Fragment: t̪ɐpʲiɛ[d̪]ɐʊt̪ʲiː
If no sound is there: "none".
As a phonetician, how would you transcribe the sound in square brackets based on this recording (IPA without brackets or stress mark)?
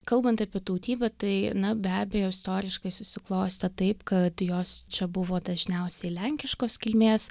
t̪